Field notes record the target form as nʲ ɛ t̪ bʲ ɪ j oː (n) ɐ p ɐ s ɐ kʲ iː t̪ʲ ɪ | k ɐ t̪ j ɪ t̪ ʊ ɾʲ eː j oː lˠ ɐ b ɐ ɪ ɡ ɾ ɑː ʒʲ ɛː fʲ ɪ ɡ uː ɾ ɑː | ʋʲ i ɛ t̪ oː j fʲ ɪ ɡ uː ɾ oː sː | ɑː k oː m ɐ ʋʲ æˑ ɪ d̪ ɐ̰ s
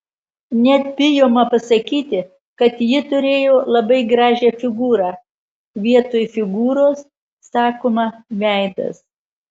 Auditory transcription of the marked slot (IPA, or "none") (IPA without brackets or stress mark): m